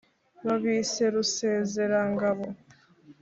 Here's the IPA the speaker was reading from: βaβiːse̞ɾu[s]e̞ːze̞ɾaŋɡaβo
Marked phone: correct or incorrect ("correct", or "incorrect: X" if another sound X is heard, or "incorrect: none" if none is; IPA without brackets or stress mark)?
correct